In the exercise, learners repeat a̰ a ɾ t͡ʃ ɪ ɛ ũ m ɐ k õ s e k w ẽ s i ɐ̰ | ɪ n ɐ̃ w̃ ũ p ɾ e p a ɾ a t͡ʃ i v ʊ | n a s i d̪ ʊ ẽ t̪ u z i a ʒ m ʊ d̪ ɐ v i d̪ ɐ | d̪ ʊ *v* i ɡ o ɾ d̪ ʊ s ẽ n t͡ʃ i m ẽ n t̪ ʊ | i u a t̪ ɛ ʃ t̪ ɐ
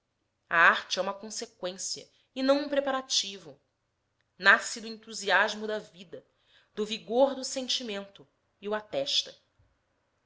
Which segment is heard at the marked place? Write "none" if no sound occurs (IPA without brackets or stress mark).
v